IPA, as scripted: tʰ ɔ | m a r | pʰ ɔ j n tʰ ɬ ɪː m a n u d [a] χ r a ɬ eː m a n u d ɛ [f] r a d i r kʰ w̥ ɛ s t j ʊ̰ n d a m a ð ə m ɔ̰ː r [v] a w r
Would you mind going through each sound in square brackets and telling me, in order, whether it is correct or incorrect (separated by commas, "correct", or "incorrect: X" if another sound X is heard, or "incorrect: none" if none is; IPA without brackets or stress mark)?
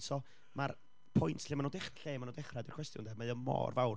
incorrect: ɛ, incorrect: χ, correct